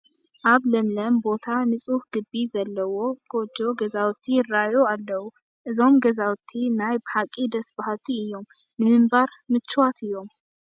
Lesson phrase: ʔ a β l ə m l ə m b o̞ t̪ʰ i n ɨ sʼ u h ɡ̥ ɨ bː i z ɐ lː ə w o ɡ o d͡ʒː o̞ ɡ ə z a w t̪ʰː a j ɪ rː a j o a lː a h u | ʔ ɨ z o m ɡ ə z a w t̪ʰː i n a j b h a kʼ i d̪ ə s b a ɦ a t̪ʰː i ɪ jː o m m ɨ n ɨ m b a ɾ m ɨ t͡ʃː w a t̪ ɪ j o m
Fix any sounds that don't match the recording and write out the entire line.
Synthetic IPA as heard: ʔ a β l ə m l ə m b o̞ t̪ʰ a n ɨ sʼ u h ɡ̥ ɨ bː i z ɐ lː ə w o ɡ o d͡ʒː o̞ ɡ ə z a w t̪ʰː i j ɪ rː a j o a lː ə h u | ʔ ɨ z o m ɡ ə z a w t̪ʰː i n a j b h a kʼ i d̪ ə s b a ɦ a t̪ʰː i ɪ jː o m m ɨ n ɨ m b a ɾ m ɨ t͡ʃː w a t̪ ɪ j o m

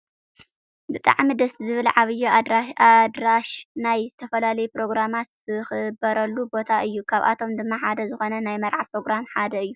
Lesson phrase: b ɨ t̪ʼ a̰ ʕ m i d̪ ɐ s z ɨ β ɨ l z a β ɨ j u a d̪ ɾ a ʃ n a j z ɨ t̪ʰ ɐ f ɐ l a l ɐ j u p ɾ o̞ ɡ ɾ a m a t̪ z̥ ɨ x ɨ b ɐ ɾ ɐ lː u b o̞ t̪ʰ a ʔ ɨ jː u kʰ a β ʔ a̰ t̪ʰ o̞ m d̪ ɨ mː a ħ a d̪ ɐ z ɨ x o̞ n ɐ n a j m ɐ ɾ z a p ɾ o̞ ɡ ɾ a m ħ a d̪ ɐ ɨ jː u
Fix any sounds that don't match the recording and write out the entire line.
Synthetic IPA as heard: b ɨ t̪ʼ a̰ ʕ m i d̪ ɐ s z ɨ β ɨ l ʕ a β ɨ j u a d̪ ɾ a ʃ n a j z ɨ t̪ʰ ɐ f ɐ l a l ɐ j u p ɾ o̞ ɡ ɾ a m a t̪ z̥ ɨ x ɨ b ɐ ɾ ɐ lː u b o̞ t̪ʰ a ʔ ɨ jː u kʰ a β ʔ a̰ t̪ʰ o̞ m d̪ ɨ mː a ħ a d̪ ɐ z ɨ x o̞ n ɐ n a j m ɐ ɾ ʕ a p ɾ o̞ ɡ ɾ a m ħ a d̪ ɐ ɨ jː u

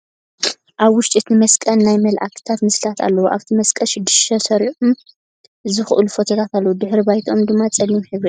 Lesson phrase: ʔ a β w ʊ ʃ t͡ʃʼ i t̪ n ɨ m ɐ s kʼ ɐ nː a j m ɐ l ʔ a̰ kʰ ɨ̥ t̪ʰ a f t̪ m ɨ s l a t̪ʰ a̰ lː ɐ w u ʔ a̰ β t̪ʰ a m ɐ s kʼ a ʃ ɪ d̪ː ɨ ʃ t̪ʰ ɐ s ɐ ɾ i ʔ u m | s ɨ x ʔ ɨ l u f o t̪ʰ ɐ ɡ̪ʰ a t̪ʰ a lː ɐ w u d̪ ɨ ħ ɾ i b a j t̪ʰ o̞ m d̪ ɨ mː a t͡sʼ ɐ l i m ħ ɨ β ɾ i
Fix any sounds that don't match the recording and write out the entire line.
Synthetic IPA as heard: ʔ a β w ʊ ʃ t͡ʃʼ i t̪ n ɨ m ɐ s kʼ ɐ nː a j m ɐ l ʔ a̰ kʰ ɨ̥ t̪ʰ a t̪ m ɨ s l a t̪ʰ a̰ lː ɐ w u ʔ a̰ β t̪ʰ i m ɐ s kʼ ɐ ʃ ɪ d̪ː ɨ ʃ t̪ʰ ɐ s ɐ ɾ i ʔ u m | z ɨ x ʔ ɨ l u f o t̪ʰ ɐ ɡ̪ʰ a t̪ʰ a lː ɐ w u d̪ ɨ ħ ɾ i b a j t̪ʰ o̞ m d̪ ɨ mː a t͡sʼ ɐ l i m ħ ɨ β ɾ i

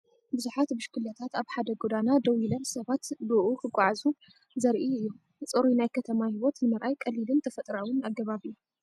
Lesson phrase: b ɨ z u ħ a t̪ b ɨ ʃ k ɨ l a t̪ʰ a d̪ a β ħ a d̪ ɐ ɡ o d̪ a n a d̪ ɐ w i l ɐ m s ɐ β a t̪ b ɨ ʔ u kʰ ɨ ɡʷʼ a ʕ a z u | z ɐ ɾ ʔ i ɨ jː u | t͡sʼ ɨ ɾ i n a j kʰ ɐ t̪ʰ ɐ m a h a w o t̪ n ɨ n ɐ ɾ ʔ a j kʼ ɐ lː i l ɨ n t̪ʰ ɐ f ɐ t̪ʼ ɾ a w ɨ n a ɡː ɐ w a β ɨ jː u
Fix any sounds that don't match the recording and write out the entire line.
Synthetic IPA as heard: b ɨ z u ħ a t̪ b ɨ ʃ k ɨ l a t̪ʰ a t̪ a β ħ a d̪ ɐ ɡ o d̪ a n a d̪ ɐ w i l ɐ m s ɐ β a t̪ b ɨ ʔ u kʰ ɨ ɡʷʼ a ʕ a z u | z ɐ ɾ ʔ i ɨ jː u | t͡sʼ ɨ ɾ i n a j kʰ ɐ t̪ʰ ɐ m a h i w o t̪ n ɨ m ɐ ɾ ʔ a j kʼ ɐ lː i l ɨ n t̪ʰ ɐ f ɐ t̪ʼ ɾ a w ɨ n a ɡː ɐ β a β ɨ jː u

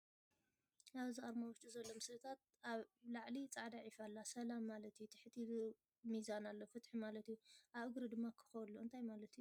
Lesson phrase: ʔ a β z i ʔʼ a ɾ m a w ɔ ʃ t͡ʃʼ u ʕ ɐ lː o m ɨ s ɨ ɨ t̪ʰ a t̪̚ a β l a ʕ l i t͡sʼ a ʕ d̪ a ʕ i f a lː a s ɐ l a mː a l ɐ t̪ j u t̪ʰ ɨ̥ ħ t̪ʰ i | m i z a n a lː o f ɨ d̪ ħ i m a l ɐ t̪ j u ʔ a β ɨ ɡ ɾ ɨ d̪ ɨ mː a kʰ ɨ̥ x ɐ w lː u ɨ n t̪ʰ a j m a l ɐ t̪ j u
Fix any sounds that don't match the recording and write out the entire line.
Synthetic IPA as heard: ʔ a β z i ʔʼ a ɾ m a w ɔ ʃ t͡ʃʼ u z ɐ lː o m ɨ s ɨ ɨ t̪ʰ a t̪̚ a β l a ʕ l i t͡sʼ a ʕ d̪ a ʕ i f a lː a s ɐ l a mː a l ɐ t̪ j u t̪ʰ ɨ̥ ħ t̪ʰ i | m i z a n a lː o f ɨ t̪ ħ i m a l ɐ t̪ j u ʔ a β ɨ ɡ ɾ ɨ d̪ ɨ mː a kʰ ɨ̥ x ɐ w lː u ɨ n t̪ʰ a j m a l ɐ t̪ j u

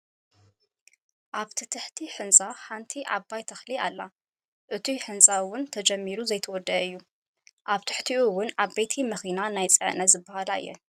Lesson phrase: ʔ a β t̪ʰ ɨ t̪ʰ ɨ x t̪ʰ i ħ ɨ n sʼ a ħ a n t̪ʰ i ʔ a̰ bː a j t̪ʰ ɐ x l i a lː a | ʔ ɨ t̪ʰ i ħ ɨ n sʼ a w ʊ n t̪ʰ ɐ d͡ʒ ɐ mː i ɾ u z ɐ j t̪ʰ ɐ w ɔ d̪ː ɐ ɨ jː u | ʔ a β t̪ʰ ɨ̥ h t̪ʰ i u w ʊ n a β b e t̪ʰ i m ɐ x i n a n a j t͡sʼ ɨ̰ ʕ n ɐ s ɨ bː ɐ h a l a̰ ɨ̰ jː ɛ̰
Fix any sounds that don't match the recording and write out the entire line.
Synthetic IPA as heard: ʔ a β t̪ʰ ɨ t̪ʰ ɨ ħ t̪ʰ i ħ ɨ n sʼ a ħ a n t̪ʰ i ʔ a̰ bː a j t̪ʰ ɐ x l i a lː a | ʔ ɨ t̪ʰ i ħ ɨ n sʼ a w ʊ n t̪ʰ ɐ d͡ʒ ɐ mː i ɾ u z ɐ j t̪ʰ ɐ w ɔ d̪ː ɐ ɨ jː u | ʔ a β t̪ʰ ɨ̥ ħ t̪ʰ i u w ʊ n a β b e t̪ʰ i m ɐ x i n a n a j t͡sʼ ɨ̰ ʕ n ɐ z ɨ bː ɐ h a l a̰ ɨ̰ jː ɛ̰

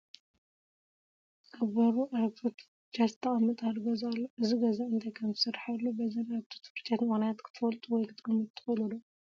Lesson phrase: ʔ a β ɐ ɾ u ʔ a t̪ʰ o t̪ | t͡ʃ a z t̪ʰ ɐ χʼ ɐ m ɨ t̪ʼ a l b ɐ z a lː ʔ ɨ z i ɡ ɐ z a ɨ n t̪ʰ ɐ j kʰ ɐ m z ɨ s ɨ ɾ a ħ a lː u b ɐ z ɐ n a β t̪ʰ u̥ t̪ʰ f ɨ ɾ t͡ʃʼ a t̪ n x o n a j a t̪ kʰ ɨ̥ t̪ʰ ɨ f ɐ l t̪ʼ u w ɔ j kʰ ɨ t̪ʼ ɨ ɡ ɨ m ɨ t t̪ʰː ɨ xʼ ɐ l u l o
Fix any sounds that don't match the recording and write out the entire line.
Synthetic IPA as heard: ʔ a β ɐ ɾ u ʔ a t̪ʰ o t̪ | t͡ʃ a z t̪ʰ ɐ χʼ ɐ m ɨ t̪ʼ a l ɡ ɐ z a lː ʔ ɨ z i ɡ ɐ z a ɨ n t̪ʰ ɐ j kʰ ɐ m z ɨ s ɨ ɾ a ħ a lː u b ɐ z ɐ n a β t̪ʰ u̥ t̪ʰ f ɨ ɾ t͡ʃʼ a t̪ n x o n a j a t̪ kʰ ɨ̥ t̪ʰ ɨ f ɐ l t̪ʼ u w ɔ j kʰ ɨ t̪ʼ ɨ ɡ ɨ m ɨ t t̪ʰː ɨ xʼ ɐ l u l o

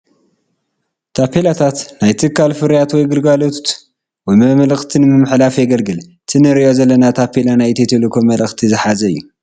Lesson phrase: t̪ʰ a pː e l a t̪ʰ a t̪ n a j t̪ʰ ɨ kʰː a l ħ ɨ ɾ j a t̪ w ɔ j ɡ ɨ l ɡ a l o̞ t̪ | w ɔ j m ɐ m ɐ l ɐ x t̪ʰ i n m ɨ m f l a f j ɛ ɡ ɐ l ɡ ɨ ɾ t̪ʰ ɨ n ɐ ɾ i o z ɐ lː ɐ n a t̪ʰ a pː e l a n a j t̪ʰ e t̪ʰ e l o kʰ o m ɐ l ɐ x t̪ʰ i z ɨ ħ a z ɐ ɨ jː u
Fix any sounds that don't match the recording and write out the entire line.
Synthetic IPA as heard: t̪ʰ a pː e l a t̪ʰ a t̪ n a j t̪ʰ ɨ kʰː a l f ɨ ɾ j a t̪ w ɔ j ɡ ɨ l ɡ a l o̞ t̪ | w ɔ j m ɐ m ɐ l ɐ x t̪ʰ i n m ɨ m ħ l a f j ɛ ɡ ɐ l ɡ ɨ l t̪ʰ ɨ n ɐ ɾ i o z ɐ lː ɐ n a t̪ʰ a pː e l a n a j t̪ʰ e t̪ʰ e l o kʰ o m ɐ l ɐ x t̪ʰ i z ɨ ħ a z ɐ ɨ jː u

